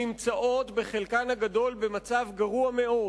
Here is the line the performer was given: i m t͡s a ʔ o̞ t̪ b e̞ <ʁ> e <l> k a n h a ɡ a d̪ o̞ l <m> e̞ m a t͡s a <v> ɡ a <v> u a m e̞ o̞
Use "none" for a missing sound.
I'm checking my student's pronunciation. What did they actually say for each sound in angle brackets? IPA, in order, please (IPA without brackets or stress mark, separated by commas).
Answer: χ, l, b, v, ʁ